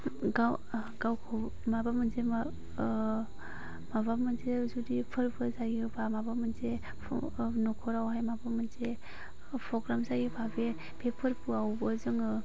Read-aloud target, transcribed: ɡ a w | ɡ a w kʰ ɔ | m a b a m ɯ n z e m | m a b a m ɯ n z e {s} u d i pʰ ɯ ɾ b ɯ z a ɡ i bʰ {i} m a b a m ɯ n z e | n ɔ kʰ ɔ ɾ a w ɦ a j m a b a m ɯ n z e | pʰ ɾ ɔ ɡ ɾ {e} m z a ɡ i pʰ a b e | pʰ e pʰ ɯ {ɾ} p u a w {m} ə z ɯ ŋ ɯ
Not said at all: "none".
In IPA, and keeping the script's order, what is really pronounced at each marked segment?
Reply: z, a, a, ɾ, b

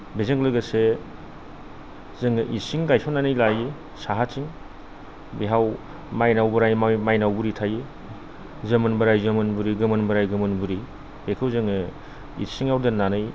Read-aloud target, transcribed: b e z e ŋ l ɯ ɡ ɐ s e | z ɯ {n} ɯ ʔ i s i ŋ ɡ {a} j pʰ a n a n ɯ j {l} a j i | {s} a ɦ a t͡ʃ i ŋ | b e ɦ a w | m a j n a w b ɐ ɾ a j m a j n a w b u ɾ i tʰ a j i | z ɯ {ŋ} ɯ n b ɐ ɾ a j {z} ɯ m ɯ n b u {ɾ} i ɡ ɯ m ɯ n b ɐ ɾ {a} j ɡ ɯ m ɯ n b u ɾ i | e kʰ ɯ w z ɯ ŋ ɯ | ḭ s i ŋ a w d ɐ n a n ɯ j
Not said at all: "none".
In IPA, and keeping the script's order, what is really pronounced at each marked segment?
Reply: ŋ, a, l, s, m, z, ɾ, a

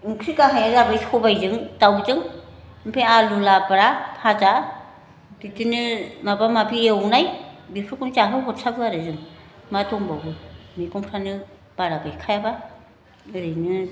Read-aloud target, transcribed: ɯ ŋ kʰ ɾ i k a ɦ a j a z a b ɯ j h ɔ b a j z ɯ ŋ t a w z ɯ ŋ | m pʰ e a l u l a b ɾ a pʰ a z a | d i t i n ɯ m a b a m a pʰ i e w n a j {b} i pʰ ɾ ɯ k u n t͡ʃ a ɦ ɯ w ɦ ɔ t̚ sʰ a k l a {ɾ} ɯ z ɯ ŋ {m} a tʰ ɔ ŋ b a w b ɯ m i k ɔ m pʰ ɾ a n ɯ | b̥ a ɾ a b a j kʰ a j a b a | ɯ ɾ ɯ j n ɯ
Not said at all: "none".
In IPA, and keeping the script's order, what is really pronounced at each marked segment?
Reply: b, ɾ, m

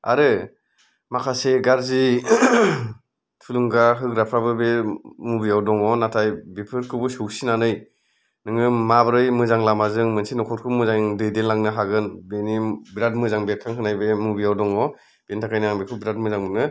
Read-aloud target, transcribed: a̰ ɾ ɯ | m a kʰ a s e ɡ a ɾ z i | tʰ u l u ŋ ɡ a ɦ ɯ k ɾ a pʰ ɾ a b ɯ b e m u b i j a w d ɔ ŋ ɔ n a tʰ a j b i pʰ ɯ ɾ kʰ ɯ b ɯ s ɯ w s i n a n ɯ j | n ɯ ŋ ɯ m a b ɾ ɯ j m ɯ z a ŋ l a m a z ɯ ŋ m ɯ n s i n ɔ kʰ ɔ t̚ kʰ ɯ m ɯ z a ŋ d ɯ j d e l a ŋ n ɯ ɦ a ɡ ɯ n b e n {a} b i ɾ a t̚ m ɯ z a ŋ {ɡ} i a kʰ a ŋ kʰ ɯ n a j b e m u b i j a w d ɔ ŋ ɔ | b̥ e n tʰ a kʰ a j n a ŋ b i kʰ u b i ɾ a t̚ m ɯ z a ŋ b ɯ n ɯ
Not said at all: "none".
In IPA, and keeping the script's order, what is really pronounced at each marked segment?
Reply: i, b

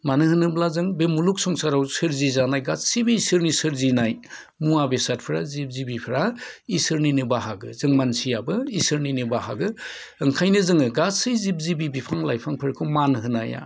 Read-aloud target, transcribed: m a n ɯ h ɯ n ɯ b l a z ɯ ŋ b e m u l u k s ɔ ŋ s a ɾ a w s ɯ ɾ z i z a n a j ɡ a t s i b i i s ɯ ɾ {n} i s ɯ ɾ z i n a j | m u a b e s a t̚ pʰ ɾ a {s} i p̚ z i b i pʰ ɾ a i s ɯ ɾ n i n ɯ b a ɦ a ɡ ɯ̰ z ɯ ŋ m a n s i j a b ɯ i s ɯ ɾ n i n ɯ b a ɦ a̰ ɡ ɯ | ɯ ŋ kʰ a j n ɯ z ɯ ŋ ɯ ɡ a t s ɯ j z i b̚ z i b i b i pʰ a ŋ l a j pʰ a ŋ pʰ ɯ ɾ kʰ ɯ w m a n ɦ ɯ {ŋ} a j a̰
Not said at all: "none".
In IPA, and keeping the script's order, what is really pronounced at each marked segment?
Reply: n, z, n

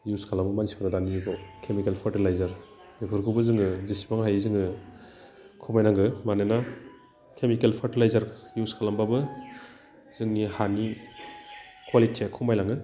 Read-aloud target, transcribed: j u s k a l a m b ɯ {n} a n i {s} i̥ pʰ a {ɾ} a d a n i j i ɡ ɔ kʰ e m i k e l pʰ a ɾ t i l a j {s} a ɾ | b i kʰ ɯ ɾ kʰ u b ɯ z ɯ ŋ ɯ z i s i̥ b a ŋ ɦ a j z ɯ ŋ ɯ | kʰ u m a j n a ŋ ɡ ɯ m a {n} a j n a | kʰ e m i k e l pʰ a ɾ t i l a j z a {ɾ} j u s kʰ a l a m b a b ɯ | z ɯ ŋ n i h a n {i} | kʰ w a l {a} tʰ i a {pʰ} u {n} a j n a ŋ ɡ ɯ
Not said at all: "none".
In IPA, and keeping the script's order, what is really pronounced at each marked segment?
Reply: m, s, ɾ, z, n, ɾ, i, i, kʰ, m

